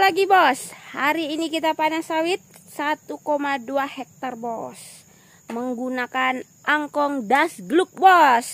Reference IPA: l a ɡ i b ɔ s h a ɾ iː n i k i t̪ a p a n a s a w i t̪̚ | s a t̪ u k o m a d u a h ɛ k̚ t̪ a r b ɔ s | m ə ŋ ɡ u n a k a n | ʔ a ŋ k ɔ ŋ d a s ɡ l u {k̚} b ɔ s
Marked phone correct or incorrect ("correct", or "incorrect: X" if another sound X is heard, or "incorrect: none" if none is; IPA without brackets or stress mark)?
correct